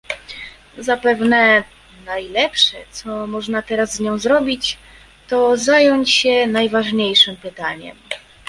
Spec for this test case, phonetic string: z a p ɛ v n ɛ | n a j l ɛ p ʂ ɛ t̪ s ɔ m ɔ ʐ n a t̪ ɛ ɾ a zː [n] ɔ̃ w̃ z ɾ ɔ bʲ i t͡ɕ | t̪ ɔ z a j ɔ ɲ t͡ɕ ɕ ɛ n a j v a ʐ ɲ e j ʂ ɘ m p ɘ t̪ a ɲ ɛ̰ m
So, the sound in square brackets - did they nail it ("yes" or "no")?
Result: no